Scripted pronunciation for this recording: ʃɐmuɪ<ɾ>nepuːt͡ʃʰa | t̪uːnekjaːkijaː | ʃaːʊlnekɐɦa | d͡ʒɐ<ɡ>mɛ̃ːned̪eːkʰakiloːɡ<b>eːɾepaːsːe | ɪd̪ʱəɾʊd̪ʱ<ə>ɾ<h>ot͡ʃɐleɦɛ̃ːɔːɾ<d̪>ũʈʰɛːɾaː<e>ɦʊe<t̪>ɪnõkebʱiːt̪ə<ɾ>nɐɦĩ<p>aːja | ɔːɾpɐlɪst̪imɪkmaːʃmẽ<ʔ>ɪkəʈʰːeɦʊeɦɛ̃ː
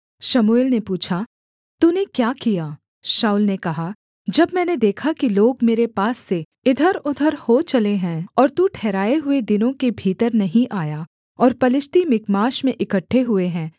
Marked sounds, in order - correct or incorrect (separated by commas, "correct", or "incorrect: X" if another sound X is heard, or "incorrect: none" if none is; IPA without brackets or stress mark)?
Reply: incorrect: l, incorrect: b, incorrect: m, correct, correct, incorrect: t̪, correct, incorrect: d̪, correct, incorrect: ʔ, correct